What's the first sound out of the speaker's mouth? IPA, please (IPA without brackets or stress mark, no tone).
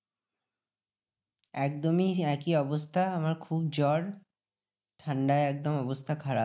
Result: ɛ